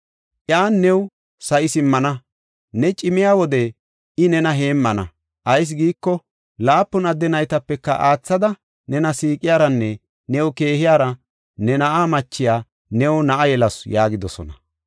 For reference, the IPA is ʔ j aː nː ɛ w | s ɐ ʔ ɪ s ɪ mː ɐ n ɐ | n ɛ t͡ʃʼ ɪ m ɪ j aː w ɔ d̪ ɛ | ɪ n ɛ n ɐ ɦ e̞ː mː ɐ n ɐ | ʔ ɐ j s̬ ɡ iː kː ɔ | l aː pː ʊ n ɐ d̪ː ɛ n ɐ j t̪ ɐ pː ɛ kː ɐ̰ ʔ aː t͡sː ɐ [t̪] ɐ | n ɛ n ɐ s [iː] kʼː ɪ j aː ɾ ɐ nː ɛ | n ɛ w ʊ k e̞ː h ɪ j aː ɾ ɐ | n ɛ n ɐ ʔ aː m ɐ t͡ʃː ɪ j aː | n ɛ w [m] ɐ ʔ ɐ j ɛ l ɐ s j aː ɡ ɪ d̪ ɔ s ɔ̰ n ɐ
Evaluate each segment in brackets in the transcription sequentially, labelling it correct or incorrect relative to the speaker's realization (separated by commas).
incorrect, correct, incorrect